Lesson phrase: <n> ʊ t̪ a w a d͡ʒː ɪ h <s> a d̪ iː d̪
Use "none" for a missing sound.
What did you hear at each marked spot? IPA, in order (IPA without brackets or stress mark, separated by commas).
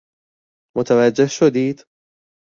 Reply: m, ʃ